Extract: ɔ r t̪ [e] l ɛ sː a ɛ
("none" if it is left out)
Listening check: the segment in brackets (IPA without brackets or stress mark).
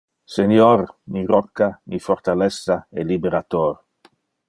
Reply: a